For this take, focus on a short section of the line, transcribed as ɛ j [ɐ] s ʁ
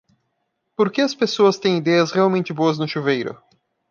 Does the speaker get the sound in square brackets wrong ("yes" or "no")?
no